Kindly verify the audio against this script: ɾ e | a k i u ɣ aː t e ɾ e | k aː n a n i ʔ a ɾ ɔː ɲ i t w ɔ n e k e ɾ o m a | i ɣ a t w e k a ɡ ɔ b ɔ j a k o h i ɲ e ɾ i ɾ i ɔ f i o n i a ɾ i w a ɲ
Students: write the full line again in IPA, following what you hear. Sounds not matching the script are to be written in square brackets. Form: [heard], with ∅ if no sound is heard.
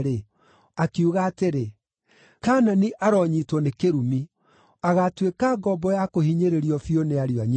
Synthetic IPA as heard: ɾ e | a k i u ɣ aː t e ɾ e | k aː n a n i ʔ a ɾ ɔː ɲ i t w ɔ n e k e ɾ [u] m [i] | [a] ɣ a t w e k a ɡ ɔ b ɔ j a k o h i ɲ e ɾ [e] ɾ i ɔ f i o n [e] a ɾ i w a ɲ